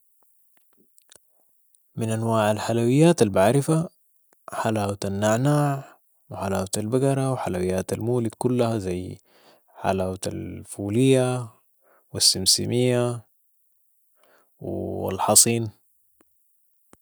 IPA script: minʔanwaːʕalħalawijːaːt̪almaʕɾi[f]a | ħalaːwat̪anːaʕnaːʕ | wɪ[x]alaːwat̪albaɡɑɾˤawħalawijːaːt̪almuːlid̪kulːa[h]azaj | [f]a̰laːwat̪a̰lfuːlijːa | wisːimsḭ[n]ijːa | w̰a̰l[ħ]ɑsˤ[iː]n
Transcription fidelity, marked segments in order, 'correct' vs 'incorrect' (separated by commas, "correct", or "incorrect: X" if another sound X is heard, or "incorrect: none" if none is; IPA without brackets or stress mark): correct, incorrect: ħ, correct, incorrect: ħ, incorrect: m, correct, correct